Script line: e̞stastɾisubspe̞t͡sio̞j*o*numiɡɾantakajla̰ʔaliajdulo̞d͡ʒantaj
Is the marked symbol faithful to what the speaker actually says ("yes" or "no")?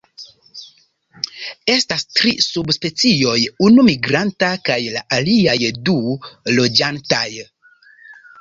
no